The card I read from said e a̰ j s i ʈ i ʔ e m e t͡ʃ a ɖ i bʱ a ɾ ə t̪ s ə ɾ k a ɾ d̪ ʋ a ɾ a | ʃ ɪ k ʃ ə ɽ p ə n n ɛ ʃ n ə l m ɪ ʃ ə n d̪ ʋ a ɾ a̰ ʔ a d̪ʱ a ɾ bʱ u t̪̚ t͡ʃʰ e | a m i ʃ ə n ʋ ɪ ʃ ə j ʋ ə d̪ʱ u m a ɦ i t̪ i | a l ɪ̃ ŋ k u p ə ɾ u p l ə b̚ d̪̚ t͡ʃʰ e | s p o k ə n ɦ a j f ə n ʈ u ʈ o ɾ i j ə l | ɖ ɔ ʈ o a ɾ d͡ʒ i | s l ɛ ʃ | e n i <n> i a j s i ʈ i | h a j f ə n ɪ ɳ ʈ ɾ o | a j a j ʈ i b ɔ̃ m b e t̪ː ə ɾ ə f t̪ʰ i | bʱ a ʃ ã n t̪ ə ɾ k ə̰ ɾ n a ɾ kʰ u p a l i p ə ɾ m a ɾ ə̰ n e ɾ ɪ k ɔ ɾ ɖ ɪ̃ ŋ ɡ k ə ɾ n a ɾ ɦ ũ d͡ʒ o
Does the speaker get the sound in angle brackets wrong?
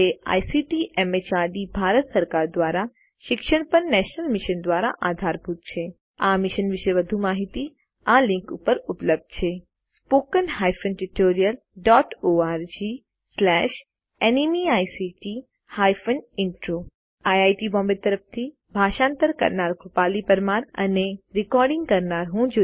yes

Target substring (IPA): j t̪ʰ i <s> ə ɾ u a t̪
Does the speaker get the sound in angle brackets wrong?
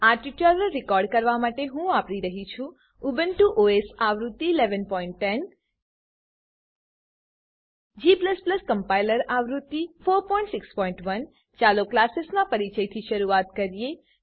yes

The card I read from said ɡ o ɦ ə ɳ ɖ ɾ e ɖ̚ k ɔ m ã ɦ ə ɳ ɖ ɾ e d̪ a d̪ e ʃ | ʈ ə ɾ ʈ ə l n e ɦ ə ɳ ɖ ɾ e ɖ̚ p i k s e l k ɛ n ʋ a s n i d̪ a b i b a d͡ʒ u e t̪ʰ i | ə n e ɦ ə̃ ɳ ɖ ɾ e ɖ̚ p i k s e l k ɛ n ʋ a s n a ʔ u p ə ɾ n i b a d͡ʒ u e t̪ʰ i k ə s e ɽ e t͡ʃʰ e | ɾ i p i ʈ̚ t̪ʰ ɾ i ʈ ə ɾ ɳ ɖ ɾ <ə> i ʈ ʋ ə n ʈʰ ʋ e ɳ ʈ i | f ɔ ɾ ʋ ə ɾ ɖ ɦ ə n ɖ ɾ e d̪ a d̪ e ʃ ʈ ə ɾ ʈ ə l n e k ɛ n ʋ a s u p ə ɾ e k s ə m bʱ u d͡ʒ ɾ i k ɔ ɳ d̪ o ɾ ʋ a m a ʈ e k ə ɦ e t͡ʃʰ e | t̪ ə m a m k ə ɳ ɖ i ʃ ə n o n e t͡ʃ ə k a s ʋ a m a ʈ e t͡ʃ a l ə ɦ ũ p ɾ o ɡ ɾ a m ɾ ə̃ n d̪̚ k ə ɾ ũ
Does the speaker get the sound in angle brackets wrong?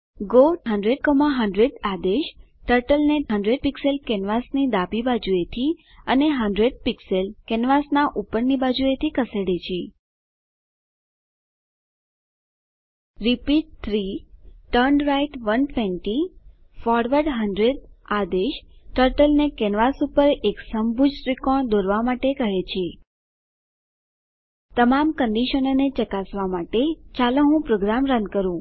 yes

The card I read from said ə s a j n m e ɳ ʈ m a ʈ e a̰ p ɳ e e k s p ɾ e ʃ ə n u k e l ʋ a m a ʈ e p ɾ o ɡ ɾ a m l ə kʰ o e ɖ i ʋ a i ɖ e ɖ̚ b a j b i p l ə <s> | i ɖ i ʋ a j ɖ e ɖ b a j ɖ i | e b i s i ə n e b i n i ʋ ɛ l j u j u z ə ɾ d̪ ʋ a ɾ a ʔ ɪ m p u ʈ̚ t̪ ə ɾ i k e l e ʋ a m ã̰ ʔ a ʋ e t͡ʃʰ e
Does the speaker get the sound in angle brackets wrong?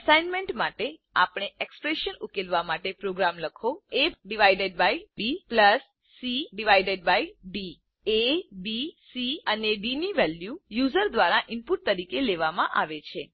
yes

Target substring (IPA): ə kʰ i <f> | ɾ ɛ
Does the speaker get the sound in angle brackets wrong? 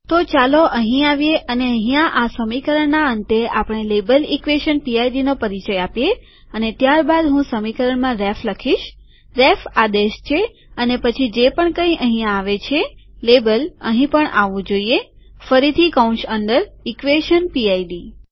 yes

